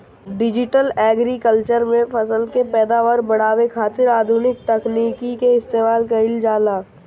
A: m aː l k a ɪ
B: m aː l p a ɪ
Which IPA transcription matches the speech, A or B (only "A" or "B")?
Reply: A